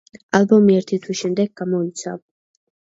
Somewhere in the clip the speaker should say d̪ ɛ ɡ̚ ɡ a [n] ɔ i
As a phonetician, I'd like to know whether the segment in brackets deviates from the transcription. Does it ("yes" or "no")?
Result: yes